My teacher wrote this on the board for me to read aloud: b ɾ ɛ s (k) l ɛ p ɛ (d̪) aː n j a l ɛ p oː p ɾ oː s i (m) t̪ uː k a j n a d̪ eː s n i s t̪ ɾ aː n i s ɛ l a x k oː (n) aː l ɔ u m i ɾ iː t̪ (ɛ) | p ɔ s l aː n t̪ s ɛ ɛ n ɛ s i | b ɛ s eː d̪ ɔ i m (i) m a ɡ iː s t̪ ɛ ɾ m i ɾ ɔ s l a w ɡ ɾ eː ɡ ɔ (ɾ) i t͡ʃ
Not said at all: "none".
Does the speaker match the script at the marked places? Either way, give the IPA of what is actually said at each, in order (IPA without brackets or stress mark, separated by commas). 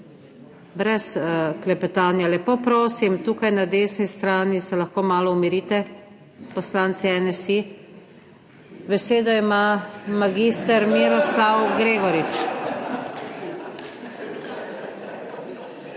k, t̪, m, m, ɛ, a, ɾ